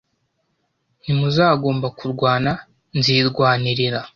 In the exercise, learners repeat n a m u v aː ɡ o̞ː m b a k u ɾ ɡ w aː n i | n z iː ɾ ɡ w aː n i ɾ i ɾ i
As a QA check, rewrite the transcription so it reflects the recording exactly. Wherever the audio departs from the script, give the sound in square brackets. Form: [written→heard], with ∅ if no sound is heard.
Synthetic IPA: n [a→i] m u [v→z] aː ɡ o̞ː m b a k u ɾ ɡ w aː n [i→a] | n z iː ɾ ɡ w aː n i ɾ i ɾ [i→a]